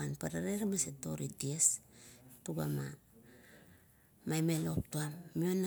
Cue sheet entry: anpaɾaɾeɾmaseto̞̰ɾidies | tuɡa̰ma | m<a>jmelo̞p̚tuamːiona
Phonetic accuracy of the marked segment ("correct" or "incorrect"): correct